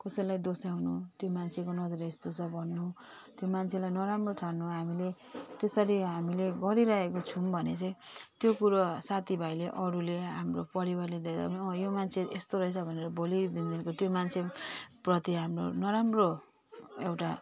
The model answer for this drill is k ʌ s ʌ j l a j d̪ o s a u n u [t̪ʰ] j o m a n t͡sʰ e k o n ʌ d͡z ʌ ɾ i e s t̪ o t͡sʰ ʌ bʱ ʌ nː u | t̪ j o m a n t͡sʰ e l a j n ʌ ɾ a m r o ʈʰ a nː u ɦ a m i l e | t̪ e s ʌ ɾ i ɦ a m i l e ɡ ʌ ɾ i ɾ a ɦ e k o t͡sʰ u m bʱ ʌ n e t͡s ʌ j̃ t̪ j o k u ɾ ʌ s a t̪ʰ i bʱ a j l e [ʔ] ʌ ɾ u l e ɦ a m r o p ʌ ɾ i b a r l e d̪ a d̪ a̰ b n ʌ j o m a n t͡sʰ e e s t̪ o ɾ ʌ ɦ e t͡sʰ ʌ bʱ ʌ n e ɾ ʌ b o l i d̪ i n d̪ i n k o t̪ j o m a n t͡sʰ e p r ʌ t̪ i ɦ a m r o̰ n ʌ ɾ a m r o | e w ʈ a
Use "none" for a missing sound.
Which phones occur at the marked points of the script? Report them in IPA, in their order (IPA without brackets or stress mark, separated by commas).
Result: t̪, ʔ